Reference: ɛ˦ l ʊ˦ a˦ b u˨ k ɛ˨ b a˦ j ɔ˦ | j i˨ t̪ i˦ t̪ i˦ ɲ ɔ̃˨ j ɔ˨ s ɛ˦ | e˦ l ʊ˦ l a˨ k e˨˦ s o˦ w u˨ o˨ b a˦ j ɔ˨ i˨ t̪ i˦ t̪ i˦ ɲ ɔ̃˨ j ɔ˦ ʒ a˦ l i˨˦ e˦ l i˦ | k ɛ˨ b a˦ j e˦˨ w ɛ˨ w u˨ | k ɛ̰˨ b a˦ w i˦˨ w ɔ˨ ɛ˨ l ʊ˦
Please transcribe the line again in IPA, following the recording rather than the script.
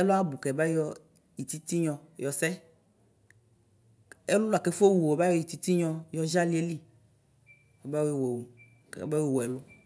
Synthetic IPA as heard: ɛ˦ l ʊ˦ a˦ b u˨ k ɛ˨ b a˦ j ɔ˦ | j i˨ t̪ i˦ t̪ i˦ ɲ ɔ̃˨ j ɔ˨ s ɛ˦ | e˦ l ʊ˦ l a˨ k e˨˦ f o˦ w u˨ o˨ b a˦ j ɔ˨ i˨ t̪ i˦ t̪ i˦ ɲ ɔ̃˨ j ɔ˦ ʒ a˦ l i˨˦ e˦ l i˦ | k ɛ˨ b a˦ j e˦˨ w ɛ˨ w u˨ | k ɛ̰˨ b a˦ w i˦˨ w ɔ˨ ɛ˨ l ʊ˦